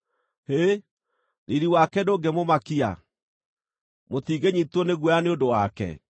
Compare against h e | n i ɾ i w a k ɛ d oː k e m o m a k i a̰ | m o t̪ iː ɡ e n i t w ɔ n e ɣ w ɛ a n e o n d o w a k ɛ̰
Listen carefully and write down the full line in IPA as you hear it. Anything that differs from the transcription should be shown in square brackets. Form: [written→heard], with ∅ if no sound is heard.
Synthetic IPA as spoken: h e | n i ɾ i w a k ɛ d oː [k→ɡ] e m o m a k i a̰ | m o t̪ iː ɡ e [n→ɲ] i t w ɔ n e ɣ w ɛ a n e o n d o w a k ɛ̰